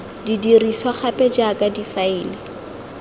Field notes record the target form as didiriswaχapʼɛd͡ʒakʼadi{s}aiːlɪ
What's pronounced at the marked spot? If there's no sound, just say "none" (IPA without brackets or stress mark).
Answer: f